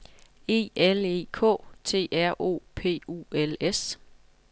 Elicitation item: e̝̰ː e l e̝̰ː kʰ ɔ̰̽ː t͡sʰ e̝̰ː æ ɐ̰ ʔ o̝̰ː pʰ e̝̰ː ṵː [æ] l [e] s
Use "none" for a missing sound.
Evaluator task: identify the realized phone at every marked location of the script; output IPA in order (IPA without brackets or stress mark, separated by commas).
e, e